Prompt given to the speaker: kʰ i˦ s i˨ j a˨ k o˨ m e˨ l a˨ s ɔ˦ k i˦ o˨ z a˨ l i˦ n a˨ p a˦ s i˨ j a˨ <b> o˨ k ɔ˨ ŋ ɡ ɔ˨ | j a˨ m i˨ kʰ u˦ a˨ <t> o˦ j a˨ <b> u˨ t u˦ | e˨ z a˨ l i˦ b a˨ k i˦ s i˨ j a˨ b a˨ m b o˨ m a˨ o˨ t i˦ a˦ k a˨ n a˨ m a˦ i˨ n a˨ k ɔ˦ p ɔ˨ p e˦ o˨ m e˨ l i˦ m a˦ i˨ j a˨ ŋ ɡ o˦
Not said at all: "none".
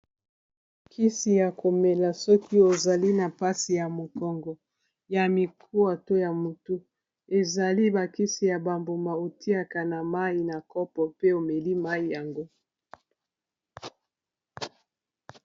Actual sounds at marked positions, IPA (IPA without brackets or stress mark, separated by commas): m, t, m